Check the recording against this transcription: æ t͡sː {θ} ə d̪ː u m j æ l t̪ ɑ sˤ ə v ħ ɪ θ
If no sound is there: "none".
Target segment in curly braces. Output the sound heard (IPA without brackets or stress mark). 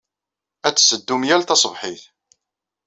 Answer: s